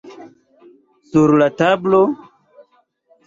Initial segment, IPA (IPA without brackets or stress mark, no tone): s